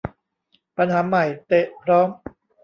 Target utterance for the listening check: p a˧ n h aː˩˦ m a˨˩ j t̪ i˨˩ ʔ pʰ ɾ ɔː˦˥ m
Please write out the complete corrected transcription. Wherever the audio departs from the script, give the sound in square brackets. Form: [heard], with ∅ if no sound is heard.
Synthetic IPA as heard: p a˧ n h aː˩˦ m a˨˩ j t̪ [e˨˩] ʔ pʰ ɾ ɔː˦˥ m